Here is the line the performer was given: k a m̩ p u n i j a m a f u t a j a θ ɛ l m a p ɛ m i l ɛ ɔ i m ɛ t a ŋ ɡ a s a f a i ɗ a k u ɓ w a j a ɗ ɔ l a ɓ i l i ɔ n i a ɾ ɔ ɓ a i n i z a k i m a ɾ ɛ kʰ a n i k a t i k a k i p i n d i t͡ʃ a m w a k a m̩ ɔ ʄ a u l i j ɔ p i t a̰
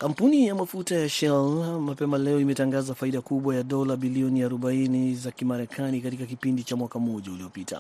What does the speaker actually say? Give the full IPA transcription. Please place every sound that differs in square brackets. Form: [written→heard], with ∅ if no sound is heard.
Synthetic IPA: k a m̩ p u n i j a m a f u t a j a [θ→ʃ] ɛ l m a p ɛ m [i→a] l ɛ ɔ i m ɛ t a ŋ ɡ a [s→z] a f a i ɗ a k u ɓ w a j a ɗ ɔ l a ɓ i l i ɔ n i a ɾ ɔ ɓ a i n i z a k i m a ɾ ɛ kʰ a n i k a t i k a k i p i n d i t͡ʃ a m w a k a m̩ ɔ ʄ a u l i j ɔ p i t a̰